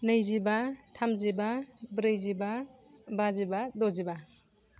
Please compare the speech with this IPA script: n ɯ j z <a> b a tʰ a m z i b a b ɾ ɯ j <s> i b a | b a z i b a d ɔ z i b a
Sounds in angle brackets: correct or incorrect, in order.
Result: incorrect: i, incorrect: z

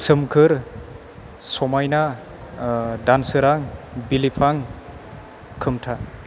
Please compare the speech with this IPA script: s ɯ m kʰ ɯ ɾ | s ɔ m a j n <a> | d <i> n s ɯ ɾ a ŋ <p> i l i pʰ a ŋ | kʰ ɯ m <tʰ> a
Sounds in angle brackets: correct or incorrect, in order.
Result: correct, incorrect: a, incorrect: b, correct

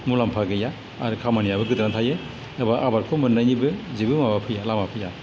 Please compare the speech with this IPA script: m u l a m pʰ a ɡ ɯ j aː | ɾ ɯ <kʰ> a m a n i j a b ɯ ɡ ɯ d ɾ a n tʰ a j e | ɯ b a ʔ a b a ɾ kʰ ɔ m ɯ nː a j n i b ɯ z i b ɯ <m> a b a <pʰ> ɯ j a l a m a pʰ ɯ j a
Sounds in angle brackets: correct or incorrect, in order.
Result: correct, correct, correct

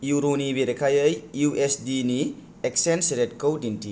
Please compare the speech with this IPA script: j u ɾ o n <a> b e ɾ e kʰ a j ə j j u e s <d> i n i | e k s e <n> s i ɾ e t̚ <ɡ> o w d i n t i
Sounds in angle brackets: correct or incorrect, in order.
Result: incorrect: i, correct, correct, incorrect: k

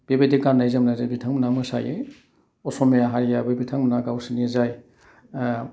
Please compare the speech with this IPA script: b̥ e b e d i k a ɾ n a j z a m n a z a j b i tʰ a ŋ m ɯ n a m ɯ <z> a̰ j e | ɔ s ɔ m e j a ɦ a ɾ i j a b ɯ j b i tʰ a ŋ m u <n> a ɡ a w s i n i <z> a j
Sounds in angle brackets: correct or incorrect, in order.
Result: incorrect: s, correct, correct

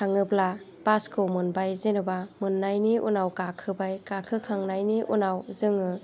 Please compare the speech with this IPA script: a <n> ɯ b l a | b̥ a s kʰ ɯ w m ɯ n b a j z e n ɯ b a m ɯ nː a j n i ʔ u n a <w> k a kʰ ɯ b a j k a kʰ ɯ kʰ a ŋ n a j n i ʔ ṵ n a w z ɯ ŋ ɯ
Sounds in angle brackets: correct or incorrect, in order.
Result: incorrect: ŋ, correct

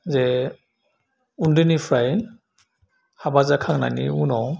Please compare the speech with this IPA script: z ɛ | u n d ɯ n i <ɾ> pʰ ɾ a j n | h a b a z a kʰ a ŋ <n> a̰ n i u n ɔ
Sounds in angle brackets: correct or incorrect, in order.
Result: incorrect: none, correct

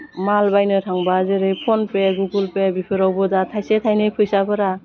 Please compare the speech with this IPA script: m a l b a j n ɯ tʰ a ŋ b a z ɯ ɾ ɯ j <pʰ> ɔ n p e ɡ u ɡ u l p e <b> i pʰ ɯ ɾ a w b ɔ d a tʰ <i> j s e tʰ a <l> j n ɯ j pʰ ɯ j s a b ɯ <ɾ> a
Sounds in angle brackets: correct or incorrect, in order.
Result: correct, correct, incorrect: a, incorrect: none, correct

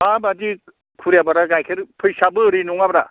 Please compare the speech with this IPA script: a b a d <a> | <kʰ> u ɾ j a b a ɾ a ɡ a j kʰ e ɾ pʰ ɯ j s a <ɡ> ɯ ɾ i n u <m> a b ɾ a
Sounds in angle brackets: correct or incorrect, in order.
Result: incorrect: i, correct, incorrect: b, incorrect: ŋ

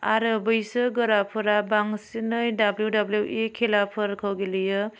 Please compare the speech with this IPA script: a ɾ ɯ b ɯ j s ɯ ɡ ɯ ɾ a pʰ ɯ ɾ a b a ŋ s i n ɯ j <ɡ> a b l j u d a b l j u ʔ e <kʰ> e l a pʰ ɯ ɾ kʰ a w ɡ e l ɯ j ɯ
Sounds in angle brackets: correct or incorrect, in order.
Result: incorrect: d, correct

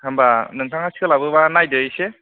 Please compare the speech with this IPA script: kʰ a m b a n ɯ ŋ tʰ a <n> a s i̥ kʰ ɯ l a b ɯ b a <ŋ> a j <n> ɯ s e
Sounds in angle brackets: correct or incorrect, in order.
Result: incorrect: ŋ, incorrect: n, incorrect: d

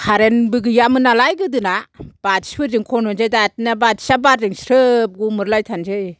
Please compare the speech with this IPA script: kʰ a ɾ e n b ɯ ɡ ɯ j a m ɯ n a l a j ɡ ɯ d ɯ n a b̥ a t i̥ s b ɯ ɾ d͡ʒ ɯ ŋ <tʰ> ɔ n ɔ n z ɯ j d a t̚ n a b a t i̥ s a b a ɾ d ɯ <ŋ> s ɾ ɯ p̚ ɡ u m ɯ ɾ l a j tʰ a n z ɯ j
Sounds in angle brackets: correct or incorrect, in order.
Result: incorrect: kʰ, correct

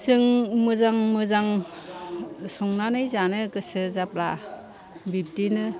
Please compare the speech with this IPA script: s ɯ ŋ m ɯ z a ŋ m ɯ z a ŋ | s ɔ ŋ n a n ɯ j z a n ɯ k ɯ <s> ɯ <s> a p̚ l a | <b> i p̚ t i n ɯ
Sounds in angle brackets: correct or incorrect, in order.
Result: correct, incorrect: z, correct

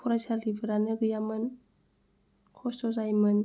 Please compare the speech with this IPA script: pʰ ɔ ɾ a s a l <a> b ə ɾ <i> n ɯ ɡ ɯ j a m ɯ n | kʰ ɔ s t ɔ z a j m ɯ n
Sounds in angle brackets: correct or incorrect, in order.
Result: incorrect: i, incorrect: a

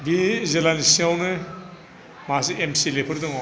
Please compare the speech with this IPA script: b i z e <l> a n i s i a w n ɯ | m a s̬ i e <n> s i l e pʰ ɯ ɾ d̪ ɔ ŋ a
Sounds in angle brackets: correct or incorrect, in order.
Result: correct, incorrect: m

